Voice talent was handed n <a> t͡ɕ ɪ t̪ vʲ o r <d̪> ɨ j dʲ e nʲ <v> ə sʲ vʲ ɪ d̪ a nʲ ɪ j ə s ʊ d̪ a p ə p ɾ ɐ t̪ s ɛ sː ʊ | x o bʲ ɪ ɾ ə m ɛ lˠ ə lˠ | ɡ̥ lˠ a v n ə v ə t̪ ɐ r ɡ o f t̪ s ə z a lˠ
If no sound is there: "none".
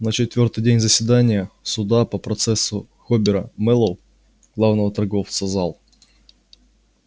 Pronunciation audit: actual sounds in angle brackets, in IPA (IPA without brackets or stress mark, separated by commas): ə, t̪, z